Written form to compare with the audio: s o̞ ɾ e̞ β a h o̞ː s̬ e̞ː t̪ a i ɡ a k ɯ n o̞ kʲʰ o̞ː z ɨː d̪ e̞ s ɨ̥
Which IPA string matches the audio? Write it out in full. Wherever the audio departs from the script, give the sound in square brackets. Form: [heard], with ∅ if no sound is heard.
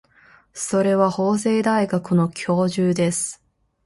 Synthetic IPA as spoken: s o̞ ɾ e̞ β a h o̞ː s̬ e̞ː [d̪] a i ɡ a k ɯ n o̞ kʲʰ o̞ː [ʑ] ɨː d̪ e̞ s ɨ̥